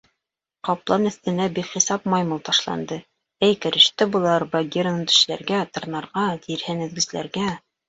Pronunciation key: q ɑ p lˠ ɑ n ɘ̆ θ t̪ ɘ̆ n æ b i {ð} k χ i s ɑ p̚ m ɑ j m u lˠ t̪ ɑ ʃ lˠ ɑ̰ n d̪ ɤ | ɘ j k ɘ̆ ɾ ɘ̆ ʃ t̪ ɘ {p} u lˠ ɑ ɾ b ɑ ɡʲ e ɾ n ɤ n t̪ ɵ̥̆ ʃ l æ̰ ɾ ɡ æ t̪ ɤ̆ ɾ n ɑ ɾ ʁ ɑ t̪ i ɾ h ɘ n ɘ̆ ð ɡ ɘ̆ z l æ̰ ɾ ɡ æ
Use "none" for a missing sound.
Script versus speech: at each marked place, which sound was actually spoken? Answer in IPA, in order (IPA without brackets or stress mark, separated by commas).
none, b